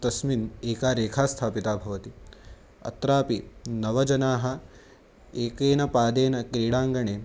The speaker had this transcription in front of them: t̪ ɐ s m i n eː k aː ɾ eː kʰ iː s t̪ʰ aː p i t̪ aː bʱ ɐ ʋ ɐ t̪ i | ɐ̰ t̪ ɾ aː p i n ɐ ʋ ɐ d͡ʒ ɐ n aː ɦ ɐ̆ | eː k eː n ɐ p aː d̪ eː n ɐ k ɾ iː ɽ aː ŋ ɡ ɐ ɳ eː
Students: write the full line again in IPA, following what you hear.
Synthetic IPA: t̪ ɐ s m i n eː k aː ɾ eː kʰ aː s t̪ʰ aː p i t̪ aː bʱ ɐ ʋ ɐ t̪ i | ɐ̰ t̪ ɾ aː p i n ɐ ʋ ɐ d͡ʒ ɐ n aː ɦ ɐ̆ | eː k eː n ɐ p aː d̪ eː n ɐ k ɾ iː ɽ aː ŋ ɡ ɐ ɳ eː

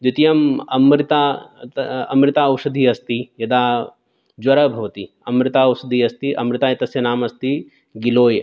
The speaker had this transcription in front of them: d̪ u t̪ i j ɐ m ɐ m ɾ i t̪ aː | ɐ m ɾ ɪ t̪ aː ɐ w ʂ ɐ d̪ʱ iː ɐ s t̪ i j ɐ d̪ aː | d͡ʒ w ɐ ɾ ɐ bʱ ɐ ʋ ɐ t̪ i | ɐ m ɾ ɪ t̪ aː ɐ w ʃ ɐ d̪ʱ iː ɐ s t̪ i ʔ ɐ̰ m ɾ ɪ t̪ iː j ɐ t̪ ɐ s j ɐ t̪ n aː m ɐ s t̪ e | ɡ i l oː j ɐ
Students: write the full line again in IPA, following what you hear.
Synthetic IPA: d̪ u t̪ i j ɐ m ɐ m ɾ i t̪ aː | ɐ m ɾ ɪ t̪ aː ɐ w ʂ ɐ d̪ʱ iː ɐ s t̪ i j ɐ d̪ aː | d͡ʒ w ɐ ɾ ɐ bʱ ɐ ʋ ɐ t̪ i | ɐ m ɾ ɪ t̪ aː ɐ w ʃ ɐ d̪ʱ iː ɐ s t̪ i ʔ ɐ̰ m ɾ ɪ t̪ aː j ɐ t̪ ɐ s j ɐ n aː m ɐ s t̪ i | ɡ i l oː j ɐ

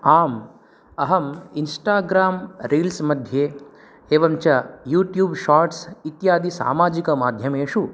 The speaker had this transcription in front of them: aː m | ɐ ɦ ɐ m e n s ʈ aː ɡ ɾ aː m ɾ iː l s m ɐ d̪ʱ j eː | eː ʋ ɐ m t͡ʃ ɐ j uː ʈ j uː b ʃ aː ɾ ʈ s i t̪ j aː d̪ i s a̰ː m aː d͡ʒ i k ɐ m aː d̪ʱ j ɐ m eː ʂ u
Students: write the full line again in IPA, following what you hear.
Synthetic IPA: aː m | ɐ ɦ ɐ m i n s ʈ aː ɡ ɾ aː m ɾ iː l s m ɐ d̪ʱ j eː | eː ʋ ɐ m t͡ʃ ɐ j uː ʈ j uː b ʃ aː ɾ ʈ s i t̪ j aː d̪ i s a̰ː m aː d͡ʒ i k ɐ m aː d̪ʱ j ɐ m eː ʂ u

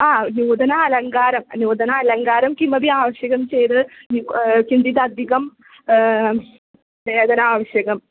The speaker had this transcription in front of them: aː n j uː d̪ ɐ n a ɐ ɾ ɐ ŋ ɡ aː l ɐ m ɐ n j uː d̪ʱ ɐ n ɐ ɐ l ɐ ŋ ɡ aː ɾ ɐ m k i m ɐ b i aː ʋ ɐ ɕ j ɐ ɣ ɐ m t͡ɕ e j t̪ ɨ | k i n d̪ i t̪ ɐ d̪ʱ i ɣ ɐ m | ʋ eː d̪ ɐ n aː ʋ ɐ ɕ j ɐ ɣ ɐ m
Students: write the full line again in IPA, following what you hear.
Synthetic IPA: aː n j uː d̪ ɐ n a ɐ l ɐ ŋ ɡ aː ɾ ɐ m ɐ n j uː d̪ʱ ɐ n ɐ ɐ l ɐ ŋ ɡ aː ɾ ɐ m k i m ɐ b i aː ʋ ɐ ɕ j ɐ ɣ ɐ m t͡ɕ e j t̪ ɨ | k i n d̪ i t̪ ɐ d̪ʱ i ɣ ɐ m | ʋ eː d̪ ɐ n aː ʋ ɐ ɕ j ɐ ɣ ɐ m

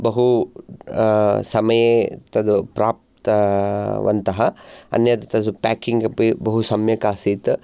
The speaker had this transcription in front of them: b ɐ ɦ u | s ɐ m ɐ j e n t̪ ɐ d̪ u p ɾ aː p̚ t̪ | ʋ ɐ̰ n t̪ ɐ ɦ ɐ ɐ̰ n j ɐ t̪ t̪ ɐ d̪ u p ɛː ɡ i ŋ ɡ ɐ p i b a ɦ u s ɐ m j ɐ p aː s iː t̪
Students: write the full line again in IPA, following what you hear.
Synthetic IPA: b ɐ ɦ u | s ɐ m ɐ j e t̪ ɐ d̪ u p ɾ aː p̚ t̪ | ʋ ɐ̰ n t̪ ɐ ɦ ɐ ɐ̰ n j ɐ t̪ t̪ ɐ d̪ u p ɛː k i ŋ ɡ ɐ p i b ɐ ɦ u s ɐ m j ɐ k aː s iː t̪

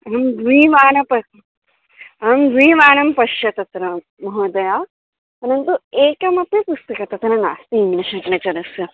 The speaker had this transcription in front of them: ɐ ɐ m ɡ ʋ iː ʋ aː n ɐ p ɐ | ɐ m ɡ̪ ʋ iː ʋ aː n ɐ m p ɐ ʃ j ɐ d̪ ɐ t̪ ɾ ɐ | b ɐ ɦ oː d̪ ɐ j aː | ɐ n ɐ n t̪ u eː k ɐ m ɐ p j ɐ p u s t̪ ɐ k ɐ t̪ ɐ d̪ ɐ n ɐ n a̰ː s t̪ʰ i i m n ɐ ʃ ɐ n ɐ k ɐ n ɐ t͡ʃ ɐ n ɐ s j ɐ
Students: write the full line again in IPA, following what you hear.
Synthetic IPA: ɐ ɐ m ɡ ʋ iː ʋ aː n ɐ p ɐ | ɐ m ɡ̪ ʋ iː ʋ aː n ɐ m p ɐ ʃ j ɐ t̪ ɐ t̪ ɾ ɐ | m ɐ ɦ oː d̪ ɐ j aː | ɐ n ɐ n t̪ u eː k ɐ m ɐ p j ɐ p u s t̪ ɐ k ɐ t̪ ɐ t̪ ɐ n ɐ n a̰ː s t̪ i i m n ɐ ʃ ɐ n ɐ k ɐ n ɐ t͡ʃ ɐ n ɐ s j ɐ

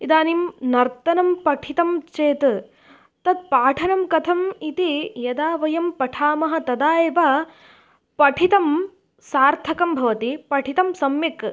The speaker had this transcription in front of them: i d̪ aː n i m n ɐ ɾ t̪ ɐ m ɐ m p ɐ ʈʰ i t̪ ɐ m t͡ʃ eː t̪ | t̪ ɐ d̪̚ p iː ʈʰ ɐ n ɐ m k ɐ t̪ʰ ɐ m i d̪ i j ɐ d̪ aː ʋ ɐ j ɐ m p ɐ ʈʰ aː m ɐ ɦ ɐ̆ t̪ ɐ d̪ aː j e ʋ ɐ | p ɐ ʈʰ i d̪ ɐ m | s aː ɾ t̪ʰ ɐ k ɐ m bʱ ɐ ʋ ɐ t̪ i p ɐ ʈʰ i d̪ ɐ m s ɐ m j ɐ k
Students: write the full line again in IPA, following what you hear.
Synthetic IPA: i d̪ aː n i m n ɐ ɾ t̪ ɐ n ɐ m p ɐ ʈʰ i t̪ ɐ m t͡ʃ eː t̪ | t̪ ɐ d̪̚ p aː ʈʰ ɐ n ɐ m k ɐ t̪ʰ ɐ m i t̪ i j ɐ d̪ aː ʋ ɐ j ɐ m p ɐ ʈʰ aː m ɐ ɦ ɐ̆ t̪ ɐ d̪ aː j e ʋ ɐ | p ɐ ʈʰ i t̪ ɐ m | s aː ɾ t̪ʰ ɐ k ɐ m bʱ ɐ ʋ ɐ t̪ i p ɐ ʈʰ i t̪ ɐ m s ɐ m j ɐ k

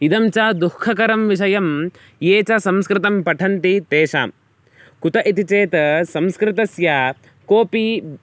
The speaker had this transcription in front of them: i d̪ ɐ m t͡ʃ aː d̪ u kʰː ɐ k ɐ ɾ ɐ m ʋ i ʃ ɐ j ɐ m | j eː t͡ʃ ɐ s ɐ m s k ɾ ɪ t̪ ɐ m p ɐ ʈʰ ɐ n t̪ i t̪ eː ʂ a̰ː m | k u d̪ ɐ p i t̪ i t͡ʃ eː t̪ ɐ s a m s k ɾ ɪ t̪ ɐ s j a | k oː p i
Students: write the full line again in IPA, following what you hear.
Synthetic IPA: i d̪ ɐ m t͡ʃ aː d̪ u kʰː ɐ k ɐ ɾ ɐ m ʋ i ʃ ɐ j ɐ m | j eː t͡ʃ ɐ s ɐ m s k ɾ ɪ t̪ ɐ m p ɐ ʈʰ ɐ n t̪ i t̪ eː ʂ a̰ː m | k u t̪ ɐ ʔ i t̪ i t͡ʃ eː t̪ ɐ s ɐ m s k ɾ ɪ t̪ ɐ s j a | k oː p i

